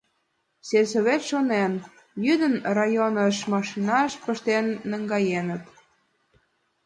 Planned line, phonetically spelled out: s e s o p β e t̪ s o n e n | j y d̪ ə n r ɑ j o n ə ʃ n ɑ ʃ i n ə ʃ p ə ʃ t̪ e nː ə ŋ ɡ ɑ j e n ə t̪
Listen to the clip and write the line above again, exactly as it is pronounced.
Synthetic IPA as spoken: s e s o β e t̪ ʃ o n e n | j y d̪ ə n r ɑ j o n ə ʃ m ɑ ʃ i n ɑ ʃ p ə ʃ t̪ e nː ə ŋ ɡ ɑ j e n ə t̪